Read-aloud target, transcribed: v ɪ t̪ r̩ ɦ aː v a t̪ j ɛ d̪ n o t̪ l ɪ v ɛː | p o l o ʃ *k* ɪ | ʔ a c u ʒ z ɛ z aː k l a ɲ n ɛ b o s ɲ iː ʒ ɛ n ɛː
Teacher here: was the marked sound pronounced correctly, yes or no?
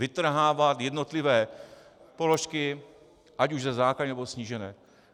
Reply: yes